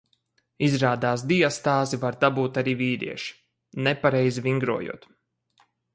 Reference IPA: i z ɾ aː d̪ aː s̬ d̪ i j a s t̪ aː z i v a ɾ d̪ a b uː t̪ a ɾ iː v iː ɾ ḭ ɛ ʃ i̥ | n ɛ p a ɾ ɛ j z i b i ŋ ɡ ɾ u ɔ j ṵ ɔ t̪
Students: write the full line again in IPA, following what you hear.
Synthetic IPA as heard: i z ɾ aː d̪ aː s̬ d̪ i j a s t̪ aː z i v a ɾ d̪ a b uː t̪ a ɾ iː v iː ɾ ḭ ɛ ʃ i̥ | n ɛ p a ɾ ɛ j z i v i ŋ ɡ ɾ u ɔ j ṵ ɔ t̪